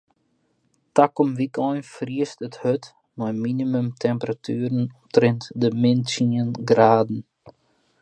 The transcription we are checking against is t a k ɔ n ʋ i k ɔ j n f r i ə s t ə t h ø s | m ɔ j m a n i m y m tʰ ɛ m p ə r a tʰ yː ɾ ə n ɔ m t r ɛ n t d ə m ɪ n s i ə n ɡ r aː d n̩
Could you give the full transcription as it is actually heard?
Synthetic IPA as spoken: t a k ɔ m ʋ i k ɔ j n f r i ə s t ə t h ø t | m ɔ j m i n i m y m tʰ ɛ m p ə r a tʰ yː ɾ ə n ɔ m t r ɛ n t d ə m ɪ n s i ə n ɡ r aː d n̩